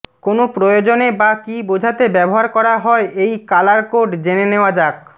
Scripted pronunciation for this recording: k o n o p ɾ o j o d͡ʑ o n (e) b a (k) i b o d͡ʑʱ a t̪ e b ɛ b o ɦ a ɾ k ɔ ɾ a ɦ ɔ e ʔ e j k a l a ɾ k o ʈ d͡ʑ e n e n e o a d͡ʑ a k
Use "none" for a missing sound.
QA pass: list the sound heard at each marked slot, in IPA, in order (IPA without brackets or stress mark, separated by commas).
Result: e, k